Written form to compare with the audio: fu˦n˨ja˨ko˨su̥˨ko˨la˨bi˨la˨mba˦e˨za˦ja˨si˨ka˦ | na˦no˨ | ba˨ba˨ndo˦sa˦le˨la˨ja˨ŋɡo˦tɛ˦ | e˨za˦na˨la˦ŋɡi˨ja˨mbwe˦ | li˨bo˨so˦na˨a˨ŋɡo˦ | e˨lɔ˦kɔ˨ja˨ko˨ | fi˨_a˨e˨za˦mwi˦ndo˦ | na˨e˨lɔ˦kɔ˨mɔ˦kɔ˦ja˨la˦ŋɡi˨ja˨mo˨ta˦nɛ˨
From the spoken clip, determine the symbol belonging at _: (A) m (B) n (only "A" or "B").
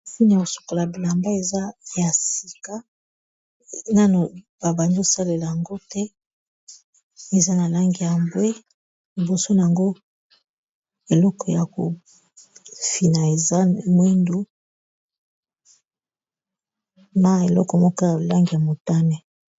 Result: B